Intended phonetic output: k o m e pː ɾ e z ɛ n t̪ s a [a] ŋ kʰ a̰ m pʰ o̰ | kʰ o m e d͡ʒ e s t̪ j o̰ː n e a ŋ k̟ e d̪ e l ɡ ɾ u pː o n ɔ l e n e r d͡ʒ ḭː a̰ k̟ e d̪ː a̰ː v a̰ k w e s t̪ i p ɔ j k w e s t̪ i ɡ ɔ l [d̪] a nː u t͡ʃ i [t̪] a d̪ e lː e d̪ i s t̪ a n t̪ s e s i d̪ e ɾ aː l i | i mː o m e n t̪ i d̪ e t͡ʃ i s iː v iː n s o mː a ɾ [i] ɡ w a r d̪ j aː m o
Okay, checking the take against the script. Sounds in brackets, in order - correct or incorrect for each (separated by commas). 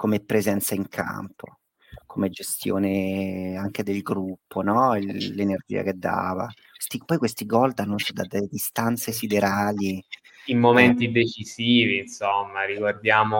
incorrect, correct, incorrect, correct